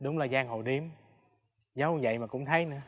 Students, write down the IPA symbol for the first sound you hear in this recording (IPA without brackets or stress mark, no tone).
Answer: ɗ